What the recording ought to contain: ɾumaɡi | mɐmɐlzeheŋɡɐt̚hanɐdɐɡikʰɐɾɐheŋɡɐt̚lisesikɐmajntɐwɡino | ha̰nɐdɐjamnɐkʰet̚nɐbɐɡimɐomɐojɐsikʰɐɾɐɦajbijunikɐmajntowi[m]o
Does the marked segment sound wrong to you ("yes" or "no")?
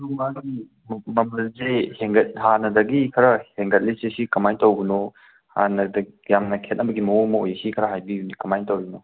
yes